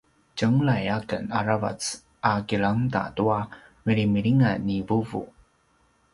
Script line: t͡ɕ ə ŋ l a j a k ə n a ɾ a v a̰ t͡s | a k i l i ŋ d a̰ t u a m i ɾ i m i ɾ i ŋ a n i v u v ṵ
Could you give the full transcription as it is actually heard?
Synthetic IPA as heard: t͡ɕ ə ŋ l a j a k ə n a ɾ a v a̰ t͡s | a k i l a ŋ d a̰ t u a m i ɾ i m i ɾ i ŋ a n i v u v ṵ